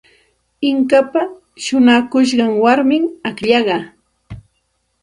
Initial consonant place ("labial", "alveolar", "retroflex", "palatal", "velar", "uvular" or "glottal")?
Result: velar